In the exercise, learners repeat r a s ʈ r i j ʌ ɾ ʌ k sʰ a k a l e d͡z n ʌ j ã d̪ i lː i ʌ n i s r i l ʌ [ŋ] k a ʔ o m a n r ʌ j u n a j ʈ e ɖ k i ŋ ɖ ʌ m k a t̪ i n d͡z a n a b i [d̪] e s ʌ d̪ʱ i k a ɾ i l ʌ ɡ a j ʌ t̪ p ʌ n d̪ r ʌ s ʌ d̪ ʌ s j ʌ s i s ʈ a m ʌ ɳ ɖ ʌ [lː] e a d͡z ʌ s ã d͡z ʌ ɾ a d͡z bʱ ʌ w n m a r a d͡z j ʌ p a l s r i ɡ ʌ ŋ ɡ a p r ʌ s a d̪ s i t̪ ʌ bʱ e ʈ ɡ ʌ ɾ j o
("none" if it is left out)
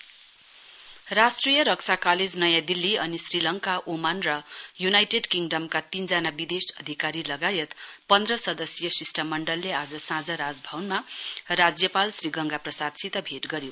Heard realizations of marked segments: ŋ, d̪, lː

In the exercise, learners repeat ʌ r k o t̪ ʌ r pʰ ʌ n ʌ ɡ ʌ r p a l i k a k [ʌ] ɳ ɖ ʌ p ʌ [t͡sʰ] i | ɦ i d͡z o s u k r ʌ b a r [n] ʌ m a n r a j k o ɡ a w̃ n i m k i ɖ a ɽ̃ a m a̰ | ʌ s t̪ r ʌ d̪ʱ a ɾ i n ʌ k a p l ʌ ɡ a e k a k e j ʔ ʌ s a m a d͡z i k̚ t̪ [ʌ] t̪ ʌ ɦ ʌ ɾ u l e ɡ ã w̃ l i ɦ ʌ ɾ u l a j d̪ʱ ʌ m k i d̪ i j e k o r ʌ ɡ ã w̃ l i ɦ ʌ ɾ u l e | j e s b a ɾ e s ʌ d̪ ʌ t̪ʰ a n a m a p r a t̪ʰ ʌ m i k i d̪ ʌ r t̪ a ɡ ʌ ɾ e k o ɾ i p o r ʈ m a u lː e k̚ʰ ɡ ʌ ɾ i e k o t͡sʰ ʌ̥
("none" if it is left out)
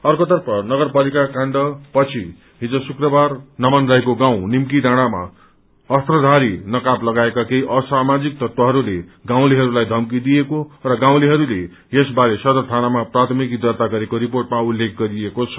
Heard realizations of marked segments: a, t͡sʰ, n, ʌ

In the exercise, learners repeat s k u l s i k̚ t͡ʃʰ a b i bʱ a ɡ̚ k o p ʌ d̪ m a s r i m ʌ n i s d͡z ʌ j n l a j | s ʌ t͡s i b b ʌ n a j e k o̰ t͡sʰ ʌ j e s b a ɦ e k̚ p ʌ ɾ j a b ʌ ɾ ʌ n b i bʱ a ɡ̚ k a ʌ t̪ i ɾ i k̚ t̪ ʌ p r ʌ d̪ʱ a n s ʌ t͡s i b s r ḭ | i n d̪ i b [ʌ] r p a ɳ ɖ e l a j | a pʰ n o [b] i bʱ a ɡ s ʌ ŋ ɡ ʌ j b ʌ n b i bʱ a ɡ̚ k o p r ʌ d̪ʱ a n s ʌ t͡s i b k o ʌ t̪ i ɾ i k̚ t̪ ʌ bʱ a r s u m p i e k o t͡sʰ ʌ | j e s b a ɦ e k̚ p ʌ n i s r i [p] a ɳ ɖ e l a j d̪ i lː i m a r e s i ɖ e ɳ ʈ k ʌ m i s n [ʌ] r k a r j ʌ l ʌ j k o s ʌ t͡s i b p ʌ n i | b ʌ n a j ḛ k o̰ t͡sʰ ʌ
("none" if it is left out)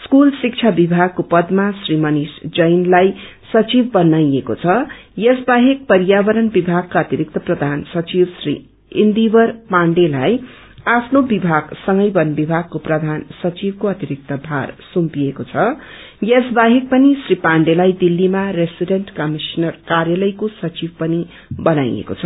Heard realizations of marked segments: ʌ, b, p, ʌ

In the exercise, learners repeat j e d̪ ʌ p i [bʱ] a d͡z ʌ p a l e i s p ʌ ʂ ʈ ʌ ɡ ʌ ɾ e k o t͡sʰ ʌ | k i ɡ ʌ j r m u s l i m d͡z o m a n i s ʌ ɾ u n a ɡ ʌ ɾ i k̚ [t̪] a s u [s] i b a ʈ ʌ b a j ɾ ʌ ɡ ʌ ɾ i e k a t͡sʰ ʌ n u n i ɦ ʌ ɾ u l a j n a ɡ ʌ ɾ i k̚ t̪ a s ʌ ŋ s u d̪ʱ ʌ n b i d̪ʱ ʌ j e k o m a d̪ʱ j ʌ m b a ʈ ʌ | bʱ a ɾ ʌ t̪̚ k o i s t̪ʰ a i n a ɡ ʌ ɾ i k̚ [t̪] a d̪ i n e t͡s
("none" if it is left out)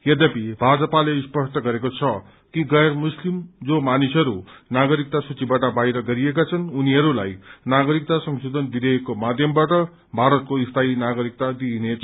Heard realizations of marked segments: bʱ, t̪, t͡s, t̪

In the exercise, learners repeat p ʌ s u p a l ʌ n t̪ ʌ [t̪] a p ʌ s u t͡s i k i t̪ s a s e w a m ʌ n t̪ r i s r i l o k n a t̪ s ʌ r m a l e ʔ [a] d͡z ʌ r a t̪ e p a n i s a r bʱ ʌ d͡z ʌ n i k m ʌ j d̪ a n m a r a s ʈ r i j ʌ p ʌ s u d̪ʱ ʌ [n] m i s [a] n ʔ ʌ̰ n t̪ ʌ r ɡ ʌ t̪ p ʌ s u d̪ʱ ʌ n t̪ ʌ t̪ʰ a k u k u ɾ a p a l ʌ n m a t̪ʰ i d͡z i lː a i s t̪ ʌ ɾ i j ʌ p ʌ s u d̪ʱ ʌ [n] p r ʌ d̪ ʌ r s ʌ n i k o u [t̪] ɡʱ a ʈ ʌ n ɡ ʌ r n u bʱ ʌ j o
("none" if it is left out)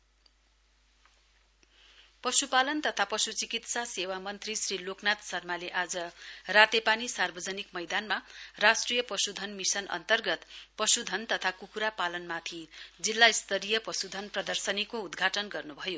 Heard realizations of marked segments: t̪ʰ, a, n, ʌ, n, d̪

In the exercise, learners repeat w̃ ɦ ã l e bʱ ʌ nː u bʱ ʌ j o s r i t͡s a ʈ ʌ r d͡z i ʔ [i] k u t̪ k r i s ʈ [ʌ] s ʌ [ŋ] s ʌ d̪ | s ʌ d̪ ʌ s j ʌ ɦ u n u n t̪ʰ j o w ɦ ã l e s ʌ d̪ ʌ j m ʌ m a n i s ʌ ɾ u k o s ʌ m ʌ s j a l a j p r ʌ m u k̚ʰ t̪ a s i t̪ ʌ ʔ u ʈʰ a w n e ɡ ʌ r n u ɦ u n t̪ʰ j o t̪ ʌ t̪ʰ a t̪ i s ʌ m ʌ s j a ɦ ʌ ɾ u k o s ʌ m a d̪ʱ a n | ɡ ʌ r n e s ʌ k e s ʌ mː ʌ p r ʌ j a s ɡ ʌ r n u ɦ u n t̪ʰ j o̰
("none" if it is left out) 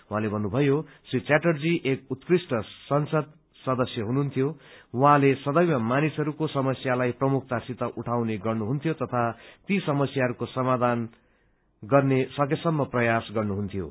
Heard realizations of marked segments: e, ʌ, n

